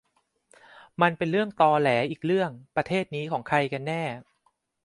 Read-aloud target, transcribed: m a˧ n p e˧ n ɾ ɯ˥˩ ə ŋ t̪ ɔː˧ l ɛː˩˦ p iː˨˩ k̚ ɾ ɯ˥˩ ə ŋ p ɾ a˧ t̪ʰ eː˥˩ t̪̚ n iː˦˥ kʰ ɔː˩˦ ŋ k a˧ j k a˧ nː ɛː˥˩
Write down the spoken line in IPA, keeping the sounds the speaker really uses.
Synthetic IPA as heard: m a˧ n p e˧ n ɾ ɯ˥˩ ə ŋ t̪ ɔː˧ l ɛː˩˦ ʔ iː˨˩ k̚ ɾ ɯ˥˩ ə ŋ p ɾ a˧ t̪ʰ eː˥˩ t̪̚ n iː˦˥ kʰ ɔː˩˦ ŋ kʰ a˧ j k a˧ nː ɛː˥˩

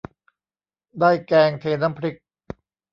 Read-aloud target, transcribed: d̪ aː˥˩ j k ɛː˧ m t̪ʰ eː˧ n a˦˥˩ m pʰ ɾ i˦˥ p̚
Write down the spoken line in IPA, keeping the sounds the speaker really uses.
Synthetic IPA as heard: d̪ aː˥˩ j k ɛː˧ ŋ t̪ʰ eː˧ n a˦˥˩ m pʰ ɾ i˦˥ k̚

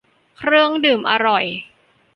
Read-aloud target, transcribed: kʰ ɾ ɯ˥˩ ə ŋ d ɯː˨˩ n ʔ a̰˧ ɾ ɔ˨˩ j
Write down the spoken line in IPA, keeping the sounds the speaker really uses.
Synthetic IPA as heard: kʰ ɾ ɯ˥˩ ə ŋ d ɯː˨˩ m ʔ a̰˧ ɾ ɔ˨˩ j

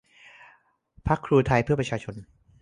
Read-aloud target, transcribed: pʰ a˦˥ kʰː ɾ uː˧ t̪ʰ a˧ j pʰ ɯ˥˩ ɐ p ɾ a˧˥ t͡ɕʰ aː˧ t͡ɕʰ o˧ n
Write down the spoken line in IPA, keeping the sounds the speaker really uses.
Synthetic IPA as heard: pʰ a˦˥ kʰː ɾ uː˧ t̪ʰ a˧ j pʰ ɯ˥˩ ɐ p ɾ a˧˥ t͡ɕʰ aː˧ t͡ɕʰ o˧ n

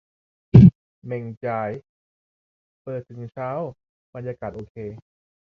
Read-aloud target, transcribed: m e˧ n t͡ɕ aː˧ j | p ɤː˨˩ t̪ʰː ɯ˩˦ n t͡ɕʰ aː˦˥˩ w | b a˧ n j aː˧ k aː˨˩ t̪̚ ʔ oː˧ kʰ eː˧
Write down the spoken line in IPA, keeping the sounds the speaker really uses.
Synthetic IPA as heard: m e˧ ŋ t͡ɕ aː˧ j | p ɤː˨˩ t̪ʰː ɯ˩˦ ŋ t͡ɕʰ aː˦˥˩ w | b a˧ n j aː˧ k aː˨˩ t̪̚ ʔ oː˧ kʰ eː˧

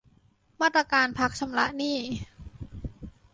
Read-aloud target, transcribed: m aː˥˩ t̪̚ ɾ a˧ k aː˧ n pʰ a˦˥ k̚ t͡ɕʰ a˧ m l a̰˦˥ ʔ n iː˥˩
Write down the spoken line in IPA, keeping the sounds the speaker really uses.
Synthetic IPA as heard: m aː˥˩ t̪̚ ɾ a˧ k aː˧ n pʰ a˦˥ k̚ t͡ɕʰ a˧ m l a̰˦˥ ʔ n iː˥˩

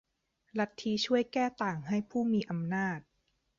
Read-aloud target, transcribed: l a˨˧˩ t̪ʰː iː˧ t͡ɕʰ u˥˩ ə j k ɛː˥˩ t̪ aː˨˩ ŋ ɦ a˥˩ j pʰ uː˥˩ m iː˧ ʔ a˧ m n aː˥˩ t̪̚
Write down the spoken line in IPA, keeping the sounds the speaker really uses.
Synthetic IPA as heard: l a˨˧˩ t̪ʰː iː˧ t͡ɕʰ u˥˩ ə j k ɛː˥˩ t̪ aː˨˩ ŋ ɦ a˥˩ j pʰ uː˥˩ m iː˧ ʔ a˧ m n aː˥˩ t̪̚

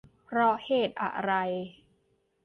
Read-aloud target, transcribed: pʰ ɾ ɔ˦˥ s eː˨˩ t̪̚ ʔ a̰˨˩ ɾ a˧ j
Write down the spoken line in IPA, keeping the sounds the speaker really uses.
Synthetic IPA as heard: pʰ ɾ ɔ˦˥ h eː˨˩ t̪̚ ʔ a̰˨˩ ɾ a˧ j

